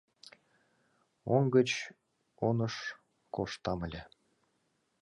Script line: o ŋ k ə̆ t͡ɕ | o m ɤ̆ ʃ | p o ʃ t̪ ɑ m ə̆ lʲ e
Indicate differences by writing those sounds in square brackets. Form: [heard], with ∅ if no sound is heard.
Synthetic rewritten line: o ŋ [ɡ] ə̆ t͡ɕ | o [n] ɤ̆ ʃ | [k] o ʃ t̪ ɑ m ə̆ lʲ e